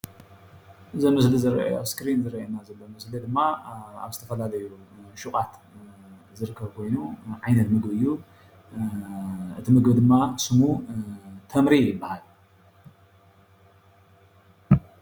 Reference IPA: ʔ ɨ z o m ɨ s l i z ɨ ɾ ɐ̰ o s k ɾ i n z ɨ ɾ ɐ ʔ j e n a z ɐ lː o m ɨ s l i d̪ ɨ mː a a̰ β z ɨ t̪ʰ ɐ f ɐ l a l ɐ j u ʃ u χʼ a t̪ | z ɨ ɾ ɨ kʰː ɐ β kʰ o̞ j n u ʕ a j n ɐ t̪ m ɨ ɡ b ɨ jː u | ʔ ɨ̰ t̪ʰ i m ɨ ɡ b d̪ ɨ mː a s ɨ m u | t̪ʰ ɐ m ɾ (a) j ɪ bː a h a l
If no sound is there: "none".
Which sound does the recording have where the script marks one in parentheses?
i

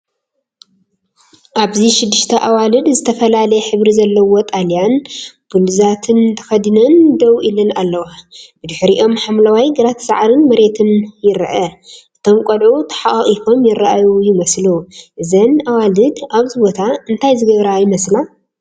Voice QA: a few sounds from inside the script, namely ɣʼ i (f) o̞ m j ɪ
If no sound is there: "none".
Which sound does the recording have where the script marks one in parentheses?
f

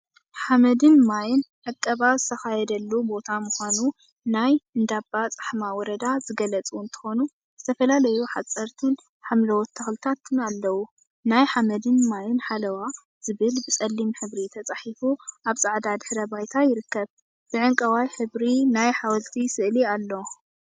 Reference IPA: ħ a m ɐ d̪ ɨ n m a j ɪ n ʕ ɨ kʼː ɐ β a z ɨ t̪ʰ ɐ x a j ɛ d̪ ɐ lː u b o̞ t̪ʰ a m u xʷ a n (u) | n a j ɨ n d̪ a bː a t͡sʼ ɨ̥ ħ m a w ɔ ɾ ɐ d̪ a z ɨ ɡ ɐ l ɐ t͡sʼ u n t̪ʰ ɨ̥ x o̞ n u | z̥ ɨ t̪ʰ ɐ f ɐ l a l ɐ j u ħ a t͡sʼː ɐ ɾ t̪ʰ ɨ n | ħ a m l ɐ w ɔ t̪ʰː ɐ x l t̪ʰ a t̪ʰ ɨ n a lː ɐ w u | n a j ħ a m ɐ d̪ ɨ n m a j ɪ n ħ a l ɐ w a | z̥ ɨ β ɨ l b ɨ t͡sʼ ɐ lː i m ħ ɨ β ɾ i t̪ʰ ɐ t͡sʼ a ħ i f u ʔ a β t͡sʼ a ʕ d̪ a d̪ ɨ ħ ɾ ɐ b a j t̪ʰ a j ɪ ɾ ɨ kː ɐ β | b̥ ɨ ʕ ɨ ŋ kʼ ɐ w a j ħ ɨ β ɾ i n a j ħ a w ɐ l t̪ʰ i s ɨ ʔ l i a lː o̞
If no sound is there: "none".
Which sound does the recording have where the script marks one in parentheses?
u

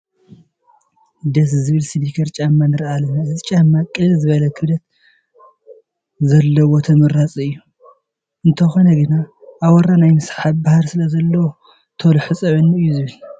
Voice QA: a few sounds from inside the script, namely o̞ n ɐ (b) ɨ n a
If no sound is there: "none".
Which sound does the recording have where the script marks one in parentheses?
ɡ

